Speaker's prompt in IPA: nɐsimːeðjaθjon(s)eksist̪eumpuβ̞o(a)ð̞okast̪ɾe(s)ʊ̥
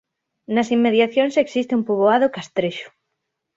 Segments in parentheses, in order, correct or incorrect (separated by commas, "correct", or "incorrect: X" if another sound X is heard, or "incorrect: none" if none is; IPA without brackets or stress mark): correct, correct, incorrect: ʃ